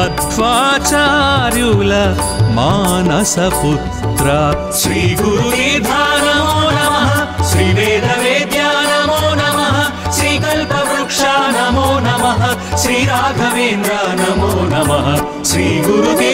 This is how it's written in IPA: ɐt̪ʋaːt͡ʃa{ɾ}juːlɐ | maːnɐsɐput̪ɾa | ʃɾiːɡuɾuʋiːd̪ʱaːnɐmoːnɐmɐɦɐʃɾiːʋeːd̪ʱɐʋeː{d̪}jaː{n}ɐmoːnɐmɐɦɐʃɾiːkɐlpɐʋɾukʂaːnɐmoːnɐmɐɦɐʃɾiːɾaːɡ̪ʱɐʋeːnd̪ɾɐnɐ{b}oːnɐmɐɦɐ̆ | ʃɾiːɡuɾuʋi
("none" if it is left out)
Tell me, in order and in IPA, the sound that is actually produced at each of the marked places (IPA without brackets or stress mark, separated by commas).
ɾ, d̪, n, m